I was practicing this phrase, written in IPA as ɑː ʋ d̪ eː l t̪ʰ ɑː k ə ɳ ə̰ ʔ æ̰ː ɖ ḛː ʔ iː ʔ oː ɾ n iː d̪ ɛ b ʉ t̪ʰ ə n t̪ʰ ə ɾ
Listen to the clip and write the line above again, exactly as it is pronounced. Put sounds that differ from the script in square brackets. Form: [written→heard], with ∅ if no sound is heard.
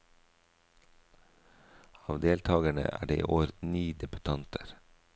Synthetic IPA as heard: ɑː ʋ d̪ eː l t̪ʰ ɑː [k→ɡ] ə ɳ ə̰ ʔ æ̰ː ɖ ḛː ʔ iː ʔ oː ɾ n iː d̪ ɛ b ʉ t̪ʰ [ə→ɑ] n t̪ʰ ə ɾ